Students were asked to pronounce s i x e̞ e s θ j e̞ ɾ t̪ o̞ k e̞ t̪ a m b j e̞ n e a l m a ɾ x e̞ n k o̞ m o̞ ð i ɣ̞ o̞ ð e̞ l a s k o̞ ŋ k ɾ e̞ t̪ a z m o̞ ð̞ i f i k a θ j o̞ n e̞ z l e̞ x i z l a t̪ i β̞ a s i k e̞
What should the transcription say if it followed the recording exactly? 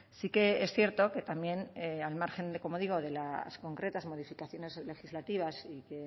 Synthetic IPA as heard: s i k e̞ e s θ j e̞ ɾ t̪ o̞ k e̞ t̪ a m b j e̞ n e a l m a ɾ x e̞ n k o̞ m o̞ ð i ɣ̞ o̞ ð e̞ l a s k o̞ ŋ k ɾ e̞ t̪ a z m o̞ ð̞ i f i k a θ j o̞ n e̞ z l e̞ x i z l a t̪ i β̞ a s i k e̞